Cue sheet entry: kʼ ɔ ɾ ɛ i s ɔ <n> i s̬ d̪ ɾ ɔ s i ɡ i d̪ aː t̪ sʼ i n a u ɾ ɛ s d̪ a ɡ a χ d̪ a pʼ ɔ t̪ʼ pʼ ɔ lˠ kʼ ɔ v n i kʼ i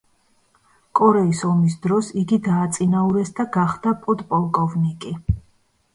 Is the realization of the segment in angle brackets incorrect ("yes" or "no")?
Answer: yes